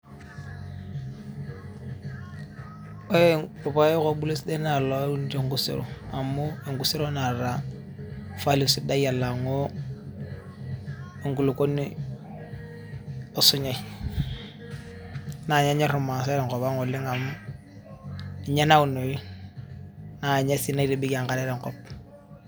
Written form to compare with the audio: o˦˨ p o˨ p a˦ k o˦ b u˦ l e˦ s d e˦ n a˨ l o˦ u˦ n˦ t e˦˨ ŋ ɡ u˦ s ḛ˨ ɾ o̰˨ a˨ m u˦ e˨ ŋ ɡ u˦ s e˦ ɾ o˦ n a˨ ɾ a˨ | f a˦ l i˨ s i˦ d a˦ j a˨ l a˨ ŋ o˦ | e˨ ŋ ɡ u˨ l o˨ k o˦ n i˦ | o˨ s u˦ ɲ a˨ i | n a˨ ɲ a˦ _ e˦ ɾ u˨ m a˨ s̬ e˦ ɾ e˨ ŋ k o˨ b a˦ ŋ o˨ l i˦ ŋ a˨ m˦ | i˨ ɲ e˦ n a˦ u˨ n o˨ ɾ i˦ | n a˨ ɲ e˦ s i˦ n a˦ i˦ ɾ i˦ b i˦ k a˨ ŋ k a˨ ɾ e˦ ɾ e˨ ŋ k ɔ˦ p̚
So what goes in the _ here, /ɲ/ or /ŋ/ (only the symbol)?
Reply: ɲ